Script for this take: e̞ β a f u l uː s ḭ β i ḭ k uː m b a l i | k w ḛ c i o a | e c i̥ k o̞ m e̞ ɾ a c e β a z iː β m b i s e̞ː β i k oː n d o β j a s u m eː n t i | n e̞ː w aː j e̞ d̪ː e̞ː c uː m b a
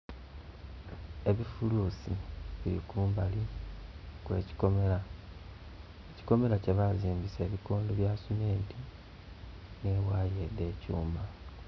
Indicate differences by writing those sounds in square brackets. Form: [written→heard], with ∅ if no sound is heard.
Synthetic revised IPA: e̞ β [a→i] f u l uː s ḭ β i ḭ k uː m b a l i | k w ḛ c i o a | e c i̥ k o̞ m e̞ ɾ a c e β a z iː [β→∅] m b i s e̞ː β i k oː n d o β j a s u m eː n t i | n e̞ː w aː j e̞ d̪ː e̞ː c uː m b a